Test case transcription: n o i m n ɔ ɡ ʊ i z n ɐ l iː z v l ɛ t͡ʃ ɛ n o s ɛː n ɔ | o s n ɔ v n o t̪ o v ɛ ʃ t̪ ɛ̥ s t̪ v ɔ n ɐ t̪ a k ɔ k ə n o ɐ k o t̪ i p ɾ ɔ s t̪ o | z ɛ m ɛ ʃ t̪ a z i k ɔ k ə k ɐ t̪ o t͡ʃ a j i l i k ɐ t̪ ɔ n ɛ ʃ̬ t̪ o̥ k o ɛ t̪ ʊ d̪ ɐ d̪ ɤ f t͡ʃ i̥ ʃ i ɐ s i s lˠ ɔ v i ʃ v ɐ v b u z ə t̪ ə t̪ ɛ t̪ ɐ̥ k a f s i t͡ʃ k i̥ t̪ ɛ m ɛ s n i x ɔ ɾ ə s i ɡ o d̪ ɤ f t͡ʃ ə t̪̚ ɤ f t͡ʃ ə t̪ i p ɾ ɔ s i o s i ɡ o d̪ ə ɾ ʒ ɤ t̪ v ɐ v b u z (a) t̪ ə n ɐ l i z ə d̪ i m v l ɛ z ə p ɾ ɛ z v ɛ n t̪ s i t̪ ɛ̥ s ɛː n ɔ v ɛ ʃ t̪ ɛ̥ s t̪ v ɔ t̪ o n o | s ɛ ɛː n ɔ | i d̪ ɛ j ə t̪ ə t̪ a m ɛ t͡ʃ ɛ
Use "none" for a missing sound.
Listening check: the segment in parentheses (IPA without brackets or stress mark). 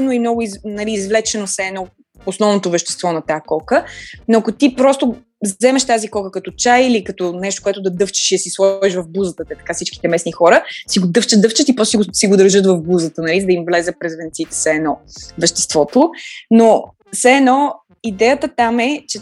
ə